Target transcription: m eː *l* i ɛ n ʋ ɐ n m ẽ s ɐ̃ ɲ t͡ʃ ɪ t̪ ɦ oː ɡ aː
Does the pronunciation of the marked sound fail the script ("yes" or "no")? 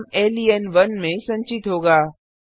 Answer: no